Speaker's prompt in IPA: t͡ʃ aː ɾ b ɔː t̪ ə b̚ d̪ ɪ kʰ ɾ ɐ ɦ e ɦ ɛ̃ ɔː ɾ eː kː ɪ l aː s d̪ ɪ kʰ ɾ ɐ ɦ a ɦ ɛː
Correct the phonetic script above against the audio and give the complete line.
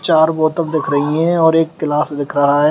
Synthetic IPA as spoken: t͡ʃ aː ɾ b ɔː t̪ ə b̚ d̪ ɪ kʰ ɾ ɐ ɦ i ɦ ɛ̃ ɔː ɾ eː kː ɪ l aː s d̪ ɪ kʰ ɾ ɐ ɦ a ɦ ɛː